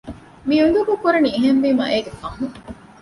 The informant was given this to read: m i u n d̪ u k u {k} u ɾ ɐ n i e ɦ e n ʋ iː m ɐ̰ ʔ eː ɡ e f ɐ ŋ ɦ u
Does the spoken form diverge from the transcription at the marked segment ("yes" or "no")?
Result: no